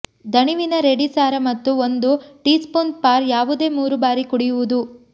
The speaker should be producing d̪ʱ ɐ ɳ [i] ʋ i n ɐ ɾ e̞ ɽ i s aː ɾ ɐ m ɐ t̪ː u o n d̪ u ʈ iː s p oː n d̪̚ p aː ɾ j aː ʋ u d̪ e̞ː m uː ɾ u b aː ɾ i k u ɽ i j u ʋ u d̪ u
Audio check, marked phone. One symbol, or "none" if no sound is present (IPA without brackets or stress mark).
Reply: i